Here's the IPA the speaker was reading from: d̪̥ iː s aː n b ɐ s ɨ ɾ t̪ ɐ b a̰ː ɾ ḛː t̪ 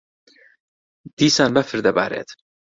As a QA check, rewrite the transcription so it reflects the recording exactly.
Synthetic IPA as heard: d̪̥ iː s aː n b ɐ f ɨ ɾ d̪ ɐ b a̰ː ɾ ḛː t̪